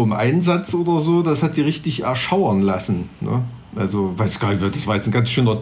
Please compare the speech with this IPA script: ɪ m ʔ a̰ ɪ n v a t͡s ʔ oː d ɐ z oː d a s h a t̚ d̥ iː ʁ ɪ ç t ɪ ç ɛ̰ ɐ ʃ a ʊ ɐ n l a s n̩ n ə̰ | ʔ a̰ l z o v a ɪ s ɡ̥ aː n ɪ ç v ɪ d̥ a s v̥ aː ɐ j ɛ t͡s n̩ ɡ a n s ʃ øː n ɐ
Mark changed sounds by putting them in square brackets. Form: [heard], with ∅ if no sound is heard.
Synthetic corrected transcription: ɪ m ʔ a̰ ɪ n [z] a t͡s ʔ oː d ɐ z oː d a s h a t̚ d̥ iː ʁ ɪ ç t ɪ ç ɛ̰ ɐ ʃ a ʊ ɐ n l a s n̩ n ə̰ | ʔ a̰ l z o v a ɪ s ɡ̥ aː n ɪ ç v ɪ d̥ a s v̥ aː ɐ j ɛ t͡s n̩ ɡ a n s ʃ øː n ɐ